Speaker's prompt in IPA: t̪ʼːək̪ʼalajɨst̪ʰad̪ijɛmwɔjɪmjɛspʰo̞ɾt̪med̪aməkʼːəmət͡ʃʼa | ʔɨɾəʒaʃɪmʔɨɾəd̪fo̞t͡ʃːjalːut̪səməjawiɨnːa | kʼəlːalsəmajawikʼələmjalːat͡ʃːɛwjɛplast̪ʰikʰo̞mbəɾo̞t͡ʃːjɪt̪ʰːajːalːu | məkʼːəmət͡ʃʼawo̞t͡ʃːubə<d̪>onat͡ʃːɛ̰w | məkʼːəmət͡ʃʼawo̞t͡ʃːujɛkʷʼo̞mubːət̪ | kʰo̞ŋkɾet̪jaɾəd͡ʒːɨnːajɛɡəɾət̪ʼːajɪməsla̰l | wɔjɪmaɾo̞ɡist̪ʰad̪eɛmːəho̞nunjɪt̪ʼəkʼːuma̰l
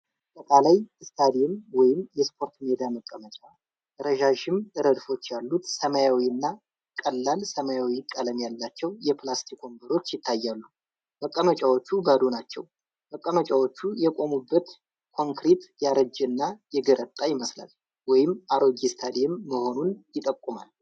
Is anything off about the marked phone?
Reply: no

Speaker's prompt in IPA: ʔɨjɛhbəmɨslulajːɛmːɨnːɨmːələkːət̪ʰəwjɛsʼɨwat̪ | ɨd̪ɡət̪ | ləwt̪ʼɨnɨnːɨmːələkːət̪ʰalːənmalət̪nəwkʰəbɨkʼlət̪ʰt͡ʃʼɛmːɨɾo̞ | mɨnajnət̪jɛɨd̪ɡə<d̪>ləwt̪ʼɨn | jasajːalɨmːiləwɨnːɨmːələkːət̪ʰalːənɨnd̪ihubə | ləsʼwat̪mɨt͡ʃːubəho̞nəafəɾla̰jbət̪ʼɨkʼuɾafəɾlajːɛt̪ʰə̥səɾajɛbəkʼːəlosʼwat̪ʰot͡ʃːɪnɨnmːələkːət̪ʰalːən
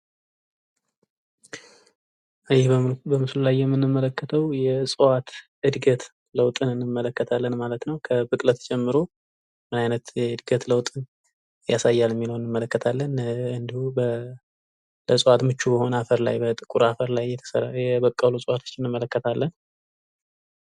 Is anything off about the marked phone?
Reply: yes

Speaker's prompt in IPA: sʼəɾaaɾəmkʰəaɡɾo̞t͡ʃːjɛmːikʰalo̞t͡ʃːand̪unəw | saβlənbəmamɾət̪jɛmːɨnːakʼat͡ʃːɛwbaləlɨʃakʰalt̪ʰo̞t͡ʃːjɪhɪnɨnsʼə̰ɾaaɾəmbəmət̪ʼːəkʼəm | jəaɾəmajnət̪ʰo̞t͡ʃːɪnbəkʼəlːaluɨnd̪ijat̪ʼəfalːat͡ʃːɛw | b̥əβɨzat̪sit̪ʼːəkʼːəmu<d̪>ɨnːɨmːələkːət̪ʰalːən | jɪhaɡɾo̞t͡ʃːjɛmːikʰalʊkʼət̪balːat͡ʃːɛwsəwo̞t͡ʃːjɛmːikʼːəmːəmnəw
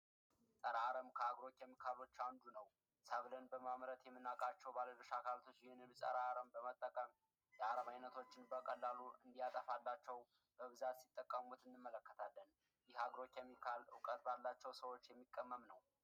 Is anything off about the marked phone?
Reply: yes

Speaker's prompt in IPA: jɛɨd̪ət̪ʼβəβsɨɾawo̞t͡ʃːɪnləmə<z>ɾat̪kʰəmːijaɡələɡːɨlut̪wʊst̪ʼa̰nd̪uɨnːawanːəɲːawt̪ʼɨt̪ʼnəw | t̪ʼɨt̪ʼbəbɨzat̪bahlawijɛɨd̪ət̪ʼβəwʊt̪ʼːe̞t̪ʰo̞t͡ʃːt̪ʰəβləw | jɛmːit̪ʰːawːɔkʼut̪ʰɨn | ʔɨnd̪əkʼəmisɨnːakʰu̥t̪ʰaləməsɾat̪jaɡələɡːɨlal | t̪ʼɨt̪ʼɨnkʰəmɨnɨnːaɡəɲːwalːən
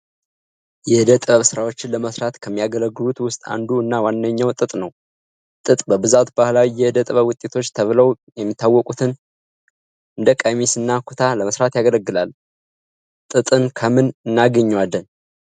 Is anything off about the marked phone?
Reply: yes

